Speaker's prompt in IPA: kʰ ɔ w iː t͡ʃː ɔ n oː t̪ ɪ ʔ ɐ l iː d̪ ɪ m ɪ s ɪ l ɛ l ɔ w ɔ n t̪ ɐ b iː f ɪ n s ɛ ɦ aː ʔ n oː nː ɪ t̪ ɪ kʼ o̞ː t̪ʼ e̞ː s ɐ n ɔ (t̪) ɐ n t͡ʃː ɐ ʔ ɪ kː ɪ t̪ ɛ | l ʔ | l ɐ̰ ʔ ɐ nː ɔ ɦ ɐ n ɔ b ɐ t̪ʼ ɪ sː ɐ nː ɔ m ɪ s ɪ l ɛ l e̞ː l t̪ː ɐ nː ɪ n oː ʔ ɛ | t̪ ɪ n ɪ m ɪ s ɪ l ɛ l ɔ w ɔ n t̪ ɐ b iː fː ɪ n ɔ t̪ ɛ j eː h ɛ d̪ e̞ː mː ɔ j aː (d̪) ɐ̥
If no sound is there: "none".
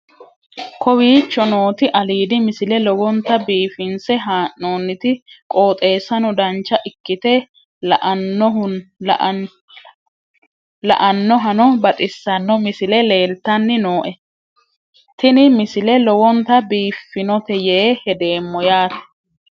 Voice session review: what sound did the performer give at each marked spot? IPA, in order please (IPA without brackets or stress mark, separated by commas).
d̪, t̪